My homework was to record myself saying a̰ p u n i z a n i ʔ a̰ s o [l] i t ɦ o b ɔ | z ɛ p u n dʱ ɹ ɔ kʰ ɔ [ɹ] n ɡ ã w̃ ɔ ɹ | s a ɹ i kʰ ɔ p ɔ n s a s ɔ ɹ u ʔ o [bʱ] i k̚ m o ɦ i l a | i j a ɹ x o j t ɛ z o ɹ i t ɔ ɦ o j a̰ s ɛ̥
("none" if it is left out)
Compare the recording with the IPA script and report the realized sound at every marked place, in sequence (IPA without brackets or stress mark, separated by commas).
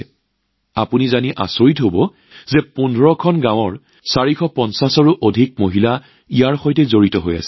ɹ, none, dʱ